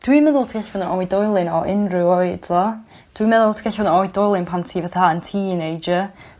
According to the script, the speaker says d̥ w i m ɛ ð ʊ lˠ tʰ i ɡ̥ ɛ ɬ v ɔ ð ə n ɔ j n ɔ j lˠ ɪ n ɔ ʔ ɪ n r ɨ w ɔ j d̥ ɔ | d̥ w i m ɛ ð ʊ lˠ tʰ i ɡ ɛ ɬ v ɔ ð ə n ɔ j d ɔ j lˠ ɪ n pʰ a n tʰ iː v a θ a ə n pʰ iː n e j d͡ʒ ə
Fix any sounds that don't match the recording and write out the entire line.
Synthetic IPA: d̥ w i m ɛ ð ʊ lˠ tʰ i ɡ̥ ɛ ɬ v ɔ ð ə n ɔ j d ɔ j lˠ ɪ n ɔ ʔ ɪ n r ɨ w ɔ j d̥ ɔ | d̥ w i m ɛ ð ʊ lˠ tʰ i ɡ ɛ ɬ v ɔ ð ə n ɔ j d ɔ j lˠ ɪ n pʰ a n tʰ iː v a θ a ə n tʰ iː n e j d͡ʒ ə